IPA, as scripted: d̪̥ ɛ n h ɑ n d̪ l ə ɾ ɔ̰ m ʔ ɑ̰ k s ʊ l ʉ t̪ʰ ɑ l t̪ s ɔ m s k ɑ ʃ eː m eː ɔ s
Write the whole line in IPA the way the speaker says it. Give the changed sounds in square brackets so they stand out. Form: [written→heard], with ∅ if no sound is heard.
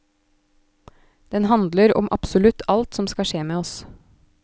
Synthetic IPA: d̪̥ ɛ n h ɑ n d̪ l ə ɾ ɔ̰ m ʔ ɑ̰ [k→p] s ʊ l ʉ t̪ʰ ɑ l t̪ s ɔ m s k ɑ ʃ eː m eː ɔ s